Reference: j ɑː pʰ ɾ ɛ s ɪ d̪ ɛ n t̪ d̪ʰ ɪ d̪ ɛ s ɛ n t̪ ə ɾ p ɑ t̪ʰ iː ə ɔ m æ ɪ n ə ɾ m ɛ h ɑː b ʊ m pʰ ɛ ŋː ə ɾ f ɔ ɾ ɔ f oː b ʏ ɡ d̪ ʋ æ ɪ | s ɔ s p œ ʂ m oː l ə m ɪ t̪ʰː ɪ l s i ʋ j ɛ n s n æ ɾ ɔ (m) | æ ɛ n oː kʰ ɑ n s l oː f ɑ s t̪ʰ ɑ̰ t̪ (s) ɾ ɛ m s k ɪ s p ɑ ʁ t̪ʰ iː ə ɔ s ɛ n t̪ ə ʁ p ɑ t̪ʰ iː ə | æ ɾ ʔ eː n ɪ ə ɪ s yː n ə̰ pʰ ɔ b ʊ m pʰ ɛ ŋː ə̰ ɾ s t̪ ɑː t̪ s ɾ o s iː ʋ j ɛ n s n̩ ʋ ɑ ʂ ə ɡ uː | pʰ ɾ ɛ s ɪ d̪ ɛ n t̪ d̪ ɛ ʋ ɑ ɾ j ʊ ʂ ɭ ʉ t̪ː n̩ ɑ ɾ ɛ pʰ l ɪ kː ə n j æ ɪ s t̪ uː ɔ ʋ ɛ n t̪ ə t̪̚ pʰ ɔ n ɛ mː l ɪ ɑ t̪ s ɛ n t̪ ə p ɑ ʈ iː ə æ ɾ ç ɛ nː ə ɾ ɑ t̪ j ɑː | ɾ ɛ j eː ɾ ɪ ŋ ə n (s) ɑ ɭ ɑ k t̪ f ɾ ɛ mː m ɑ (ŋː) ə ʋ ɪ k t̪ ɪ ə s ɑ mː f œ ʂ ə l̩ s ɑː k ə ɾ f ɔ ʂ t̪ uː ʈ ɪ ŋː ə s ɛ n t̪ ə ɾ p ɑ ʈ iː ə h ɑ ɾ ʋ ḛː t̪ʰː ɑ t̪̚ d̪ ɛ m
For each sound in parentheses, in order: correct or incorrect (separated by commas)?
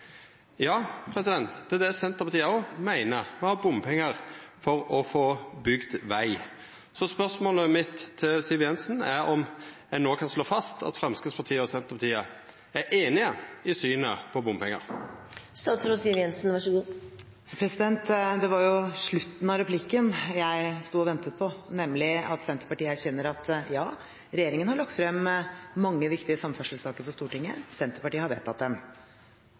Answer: correct, incorrect, incorrect, correct